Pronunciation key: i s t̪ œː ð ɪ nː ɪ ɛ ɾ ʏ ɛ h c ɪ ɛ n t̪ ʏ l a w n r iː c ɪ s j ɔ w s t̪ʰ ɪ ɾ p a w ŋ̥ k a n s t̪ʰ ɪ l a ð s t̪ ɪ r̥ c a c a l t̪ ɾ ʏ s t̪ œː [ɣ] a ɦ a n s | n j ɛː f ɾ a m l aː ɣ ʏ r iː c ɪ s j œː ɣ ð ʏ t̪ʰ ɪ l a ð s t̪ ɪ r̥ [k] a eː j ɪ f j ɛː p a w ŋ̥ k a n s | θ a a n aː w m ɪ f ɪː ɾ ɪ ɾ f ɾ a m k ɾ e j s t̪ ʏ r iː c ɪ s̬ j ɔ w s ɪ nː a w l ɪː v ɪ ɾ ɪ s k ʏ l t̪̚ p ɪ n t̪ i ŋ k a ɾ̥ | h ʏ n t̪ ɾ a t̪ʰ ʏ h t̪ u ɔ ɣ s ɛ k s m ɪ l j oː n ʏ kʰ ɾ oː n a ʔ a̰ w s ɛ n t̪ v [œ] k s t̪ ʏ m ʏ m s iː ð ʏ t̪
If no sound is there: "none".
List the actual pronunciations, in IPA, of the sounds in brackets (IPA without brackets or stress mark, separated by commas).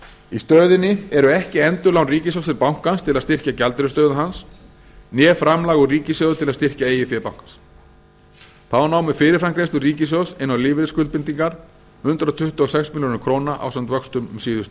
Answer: ð, c, œ